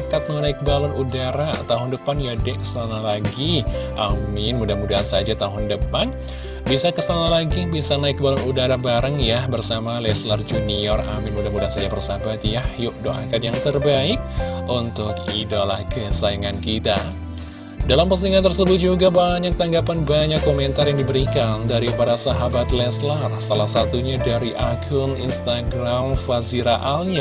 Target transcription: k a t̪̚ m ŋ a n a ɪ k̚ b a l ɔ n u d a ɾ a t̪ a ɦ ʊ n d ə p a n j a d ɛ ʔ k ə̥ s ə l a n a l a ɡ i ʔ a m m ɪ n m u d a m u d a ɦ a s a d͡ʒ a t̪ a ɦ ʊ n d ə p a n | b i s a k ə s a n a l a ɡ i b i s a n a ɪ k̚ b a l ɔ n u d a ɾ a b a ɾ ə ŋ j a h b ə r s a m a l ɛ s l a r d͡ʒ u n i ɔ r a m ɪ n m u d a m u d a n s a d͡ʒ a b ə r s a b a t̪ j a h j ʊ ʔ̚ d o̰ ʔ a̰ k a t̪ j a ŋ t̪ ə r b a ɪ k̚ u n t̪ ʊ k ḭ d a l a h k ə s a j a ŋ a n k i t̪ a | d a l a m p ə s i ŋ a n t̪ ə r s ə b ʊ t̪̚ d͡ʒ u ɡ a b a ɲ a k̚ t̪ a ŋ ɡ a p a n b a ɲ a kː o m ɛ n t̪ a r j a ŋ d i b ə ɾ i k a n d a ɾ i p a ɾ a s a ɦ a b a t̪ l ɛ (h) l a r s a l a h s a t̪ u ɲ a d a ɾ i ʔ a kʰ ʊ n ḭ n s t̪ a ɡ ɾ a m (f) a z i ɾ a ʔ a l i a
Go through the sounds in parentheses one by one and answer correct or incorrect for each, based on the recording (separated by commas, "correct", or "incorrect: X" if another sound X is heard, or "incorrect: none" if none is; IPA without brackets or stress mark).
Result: incorrect: s, correct